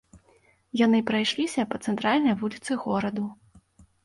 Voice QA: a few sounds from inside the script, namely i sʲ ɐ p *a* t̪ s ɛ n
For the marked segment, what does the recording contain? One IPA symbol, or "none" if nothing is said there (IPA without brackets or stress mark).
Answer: ɐ